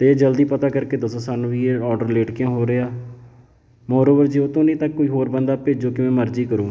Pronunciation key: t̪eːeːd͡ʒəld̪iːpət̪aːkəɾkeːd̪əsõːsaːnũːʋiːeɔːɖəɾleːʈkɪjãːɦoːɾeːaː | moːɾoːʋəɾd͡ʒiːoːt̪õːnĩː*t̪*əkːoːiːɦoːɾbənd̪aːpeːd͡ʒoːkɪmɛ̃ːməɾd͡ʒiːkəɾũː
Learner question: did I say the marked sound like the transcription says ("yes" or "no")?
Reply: yes